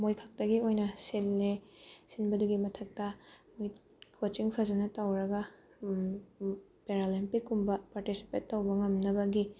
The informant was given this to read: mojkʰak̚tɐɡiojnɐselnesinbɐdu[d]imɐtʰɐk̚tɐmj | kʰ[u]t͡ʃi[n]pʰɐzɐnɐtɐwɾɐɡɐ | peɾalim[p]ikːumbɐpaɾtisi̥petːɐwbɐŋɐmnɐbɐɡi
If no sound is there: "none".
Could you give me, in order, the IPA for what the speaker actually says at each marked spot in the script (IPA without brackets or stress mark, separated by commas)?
ɡ, o, ŋ, p